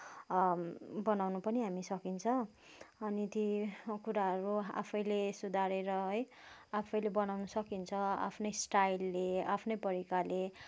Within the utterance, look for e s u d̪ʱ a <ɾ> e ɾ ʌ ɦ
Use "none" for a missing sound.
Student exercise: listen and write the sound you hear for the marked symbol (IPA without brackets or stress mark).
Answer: ɾ